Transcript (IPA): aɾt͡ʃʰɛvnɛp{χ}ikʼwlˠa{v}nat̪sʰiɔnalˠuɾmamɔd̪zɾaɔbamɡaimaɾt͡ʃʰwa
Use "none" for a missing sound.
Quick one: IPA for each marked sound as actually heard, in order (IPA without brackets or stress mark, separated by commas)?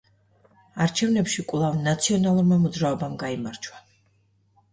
ʃ, v